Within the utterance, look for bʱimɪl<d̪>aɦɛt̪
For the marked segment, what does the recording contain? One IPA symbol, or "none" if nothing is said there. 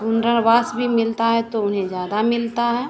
t̪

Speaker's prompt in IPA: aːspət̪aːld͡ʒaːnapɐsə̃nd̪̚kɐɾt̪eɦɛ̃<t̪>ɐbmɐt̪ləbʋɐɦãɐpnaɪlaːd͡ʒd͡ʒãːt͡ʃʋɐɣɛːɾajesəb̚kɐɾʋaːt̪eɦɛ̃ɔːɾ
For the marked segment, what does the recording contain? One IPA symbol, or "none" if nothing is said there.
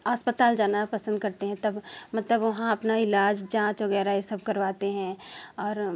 t̪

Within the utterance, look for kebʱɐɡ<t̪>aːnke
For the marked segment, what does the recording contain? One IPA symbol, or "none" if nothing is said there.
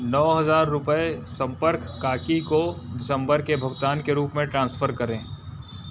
t̪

